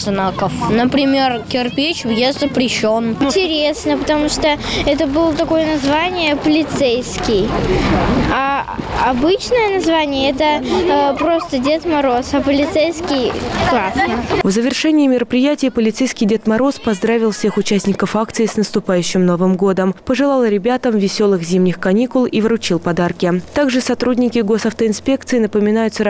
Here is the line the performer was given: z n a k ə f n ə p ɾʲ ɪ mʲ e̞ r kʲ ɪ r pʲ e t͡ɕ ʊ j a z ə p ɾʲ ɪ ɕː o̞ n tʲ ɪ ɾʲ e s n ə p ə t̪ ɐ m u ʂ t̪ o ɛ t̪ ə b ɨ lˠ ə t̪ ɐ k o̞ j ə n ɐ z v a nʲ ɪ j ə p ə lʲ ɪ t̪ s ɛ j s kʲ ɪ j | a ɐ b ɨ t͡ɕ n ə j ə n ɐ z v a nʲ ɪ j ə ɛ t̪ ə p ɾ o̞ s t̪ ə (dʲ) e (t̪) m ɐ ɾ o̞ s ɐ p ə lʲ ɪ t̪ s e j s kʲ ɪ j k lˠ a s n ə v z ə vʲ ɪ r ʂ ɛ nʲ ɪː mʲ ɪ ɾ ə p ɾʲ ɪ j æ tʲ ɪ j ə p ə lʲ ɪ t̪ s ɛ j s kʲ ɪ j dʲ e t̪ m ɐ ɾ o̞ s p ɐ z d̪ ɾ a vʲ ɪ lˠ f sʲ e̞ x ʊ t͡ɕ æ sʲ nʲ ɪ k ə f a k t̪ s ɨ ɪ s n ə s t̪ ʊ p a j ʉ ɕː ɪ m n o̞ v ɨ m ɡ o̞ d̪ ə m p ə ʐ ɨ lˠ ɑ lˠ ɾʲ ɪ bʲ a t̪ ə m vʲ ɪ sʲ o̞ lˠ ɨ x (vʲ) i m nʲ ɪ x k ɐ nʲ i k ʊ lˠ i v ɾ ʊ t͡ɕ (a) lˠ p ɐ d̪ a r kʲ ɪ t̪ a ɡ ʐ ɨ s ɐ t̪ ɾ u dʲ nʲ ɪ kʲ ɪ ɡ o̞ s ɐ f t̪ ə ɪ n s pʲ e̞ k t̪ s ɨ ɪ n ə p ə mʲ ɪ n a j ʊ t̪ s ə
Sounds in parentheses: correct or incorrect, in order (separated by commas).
correct, correct, incorrect, incorrect